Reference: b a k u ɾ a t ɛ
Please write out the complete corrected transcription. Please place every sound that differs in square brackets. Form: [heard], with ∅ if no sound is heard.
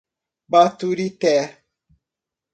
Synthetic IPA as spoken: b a [t] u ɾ [i] t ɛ